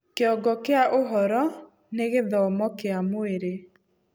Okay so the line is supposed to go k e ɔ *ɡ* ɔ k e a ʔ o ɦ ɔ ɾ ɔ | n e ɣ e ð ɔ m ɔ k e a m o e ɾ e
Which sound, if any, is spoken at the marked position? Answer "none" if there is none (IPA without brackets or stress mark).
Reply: ɡ